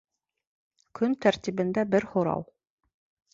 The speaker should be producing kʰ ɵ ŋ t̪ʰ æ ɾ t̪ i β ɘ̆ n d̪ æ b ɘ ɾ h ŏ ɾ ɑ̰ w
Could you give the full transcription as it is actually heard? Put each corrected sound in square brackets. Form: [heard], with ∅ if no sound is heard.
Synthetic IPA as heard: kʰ ɵ [n] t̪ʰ æ ɾ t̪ i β ɘ̆ n d̪ æ b ɘ ɾ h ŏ ɾ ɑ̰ w